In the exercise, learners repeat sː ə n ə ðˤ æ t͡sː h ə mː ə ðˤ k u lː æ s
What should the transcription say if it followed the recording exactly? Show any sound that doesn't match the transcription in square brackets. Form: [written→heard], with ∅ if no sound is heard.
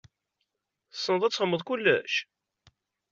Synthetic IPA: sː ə n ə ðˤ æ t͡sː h ə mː ə ðˤ k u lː æ [s→ʃ]